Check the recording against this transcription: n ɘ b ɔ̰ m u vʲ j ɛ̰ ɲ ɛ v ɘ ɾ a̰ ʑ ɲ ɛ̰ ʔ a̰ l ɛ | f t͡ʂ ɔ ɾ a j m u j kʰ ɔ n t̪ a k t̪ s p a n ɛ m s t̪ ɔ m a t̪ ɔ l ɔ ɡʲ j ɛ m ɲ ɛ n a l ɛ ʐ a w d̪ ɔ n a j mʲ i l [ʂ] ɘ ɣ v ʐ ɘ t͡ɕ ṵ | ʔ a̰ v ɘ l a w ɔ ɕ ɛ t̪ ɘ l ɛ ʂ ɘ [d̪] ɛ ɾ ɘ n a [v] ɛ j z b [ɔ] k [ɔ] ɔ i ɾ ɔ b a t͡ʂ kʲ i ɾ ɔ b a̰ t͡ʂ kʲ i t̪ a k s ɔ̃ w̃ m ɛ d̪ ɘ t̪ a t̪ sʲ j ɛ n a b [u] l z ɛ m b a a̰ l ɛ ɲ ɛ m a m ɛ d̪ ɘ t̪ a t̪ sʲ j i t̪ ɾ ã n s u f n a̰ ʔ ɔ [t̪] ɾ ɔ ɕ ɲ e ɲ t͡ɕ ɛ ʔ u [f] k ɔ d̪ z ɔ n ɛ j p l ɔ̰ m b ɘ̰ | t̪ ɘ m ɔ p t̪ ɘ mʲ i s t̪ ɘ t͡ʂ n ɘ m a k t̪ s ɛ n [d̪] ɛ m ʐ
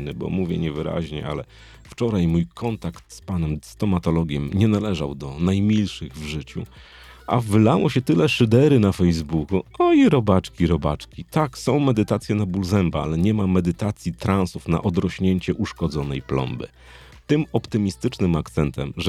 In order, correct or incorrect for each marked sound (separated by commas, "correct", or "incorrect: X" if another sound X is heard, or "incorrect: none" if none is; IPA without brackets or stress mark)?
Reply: correct, correct, incorrect: f, incorrect: u, incorrect: u, correct, incorrect: d̪, incorrect: ʂ, incorrect: t̪